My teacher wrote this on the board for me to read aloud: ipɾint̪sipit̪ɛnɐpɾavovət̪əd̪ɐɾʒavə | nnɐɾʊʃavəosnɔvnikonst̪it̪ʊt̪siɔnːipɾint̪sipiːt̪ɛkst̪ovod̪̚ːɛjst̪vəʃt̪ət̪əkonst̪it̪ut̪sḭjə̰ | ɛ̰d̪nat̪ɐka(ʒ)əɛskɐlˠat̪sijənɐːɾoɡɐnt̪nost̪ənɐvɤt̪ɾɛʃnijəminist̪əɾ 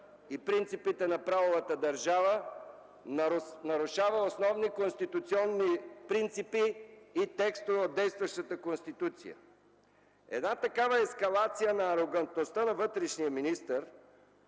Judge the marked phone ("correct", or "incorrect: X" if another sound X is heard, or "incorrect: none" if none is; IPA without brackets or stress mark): incorrect: v